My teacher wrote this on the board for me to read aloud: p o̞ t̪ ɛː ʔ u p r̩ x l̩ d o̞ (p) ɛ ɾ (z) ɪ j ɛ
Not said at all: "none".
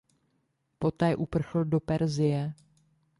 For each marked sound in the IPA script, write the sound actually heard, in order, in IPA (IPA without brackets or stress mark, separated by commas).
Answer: p, z